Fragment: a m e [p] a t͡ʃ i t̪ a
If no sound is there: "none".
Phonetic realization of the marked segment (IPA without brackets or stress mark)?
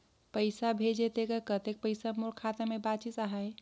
b